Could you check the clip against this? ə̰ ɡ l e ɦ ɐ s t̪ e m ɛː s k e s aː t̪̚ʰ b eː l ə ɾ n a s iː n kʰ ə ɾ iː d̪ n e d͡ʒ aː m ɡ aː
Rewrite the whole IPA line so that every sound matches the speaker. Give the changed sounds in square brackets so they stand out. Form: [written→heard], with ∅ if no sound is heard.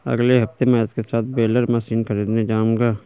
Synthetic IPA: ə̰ ɡ l e ɦ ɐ [s→f] t̪ e m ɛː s k e s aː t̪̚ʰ b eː l ə ɾ [n→m] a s iː n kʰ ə ɾ iː d̪ n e d͡ʒ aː m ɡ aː